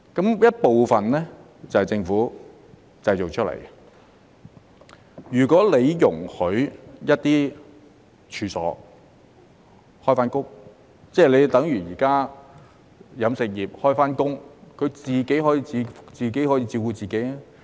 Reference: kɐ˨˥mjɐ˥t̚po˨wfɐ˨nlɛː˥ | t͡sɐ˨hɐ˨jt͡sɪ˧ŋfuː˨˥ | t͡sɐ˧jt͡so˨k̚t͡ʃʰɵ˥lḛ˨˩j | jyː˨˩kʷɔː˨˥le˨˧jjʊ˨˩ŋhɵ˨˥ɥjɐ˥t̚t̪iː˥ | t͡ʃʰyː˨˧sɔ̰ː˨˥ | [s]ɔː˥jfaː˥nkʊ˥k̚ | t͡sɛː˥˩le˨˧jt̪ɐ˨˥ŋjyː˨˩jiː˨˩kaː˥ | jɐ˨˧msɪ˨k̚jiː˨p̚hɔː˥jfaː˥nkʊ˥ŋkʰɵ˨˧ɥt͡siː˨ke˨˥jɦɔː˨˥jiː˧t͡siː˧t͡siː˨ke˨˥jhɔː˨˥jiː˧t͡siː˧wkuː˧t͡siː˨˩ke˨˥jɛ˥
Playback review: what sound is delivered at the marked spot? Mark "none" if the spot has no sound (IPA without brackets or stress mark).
h